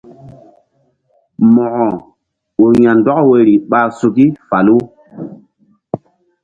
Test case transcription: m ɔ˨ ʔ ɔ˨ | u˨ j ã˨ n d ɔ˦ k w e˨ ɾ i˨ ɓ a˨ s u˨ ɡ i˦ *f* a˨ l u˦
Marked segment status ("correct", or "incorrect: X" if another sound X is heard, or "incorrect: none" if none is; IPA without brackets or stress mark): correct